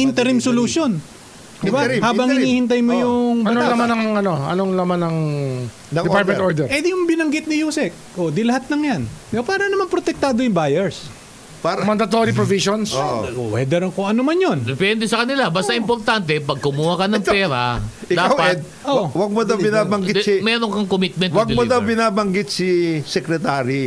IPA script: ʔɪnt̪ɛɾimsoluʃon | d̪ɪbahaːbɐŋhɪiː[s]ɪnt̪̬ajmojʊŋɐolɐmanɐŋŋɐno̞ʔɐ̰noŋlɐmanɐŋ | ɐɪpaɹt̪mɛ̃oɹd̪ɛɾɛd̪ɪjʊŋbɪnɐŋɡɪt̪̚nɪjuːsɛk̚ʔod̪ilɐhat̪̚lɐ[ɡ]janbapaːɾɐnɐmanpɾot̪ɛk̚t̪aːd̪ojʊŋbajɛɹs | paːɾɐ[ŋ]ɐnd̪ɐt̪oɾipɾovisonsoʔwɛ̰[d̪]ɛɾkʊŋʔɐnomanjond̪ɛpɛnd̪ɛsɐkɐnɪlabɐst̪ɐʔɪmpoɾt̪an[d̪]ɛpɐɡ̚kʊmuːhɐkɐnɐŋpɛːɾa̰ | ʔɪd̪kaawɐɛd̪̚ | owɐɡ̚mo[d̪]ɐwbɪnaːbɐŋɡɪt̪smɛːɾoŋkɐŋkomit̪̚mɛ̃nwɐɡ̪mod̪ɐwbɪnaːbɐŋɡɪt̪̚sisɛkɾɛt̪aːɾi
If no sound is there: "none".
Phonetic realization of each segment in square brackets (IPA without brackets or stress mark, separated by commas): h, ŋ, m, d̪, t̪, d̪